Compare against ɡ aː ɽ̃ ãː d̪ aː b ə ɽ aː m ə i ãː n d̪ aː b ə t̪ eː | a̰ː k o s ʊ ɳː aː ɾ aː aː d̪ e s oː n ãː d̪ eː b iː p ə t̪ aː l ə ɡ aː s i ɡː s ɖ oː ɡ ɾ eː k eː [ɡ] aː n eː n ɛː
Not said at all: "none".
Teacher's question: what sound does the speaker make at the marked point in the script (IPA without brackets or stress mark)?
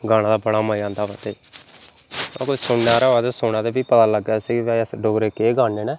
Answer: ɡ